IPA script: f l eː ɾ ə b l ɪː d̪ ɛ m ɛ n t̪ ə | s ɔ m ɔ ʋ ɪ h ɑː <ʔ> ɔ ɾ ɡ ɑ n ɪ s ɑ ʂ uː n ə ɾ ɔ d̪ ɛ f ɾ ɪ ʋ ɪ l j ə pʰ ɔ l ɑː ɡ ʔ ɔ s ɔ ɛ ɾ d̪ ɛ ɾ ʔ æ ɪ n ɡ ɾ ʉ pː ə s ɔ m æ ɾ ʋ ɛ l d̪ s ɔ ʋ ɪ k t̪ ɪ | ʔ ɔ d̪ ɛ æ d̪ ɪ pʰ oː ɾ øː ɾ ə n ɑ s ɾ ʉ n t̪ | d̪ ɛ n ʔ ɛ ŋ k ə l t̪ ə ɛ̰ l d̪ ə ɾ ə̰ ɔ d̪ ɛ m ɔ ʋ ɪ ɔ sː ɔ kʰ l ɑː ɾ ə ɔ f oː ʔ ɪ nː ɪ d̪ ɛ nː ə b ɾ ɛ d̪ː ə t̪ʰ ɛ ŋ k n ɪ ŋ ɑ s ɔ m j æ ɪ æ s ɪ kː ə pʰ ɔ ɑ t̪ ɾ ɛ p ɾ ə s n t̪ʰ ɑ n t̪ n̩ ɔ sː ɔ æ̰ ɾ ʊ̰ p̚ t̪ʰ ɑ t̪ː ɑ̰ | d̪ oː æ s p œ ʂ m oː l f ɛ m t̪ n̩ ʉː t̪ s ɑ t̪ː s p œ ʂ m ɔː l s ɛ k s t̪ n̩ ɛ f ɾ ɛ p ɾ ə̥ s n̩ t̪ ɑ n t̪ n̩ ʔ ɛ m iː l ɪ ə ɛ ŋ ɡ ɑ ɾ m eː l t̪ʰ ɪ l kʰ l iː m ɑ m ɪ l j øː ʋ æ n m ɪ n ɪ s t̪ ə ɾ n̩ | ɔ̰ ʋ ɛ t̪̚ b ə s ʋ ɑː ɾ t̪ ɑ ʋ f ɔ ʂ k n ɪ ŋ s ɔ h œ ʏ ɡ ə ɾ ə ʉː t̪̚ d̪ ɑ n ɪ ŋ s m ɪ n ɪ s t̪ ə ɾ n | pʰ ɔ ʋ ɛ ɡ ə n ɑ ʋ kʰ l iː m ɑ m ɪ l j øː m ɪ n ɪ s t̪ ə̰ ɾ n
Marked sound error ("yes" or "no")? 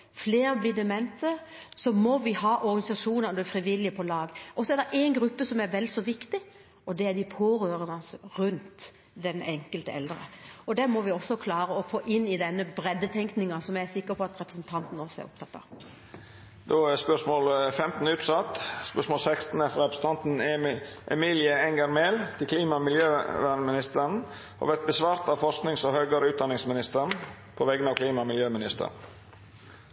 no